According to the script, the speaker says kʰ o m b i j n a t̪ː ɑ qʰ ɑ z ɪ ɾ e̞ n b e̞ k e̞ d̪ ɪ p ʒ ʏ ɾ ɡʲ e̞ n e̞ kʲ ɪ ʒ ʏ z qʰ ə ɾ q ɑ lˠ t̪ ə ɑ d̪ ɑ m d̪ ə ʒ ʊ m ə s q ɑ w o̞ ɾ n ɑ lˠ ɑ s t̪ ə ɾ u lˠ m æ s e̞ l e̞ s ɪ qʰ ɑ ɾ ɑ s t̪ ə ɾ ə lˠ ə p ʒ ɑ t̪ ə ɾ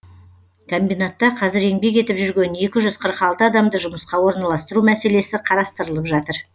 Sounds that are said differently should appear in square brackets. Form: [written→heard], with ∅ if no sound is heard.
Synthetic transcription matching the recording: kʰ o m b i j n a t̪ː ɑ qʰ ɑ z ɪ ɾ e̞ [n→ŋ] b e̞ k e̞ [d̪→t̪] ɪ p ʒ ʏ ɾ ɡʲ e̞ n e̞ kʲ ɪ ʒ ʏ z qʰ ə ɾ q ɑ lˠ t̪ ə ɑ d̪ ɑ m d̪ ə ʒ ʊ m ə s q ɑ w o̞ ɾ n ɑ lˠ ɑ s t̪ ə ɾ u [lˠ→∅] m æ s e̞ l e̞ s ɪ qʰ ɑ ɾ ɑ s t̪ ə ɾ ə lˠ ə p ʒ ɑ t̪ ə ɾ